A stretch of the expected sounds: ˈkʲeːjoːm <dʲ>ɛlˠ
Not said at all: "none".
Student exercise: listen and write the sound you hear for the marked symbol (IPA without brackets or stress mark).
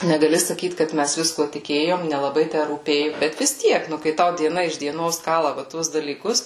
nʲ